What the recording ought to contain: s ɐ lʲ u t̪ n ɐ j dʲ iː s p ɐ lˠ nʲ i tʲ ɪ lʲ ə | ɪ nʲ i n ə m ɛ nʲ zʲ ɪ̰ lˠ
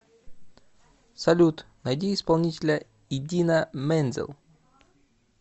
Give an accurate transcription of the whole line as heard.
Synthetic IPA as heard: s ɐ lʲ u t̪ n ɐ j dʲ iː s p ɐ lˠ nʲ i tʲ ɪ lʲ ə | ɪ dʲ i n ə m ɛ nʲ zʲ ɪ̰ lˠ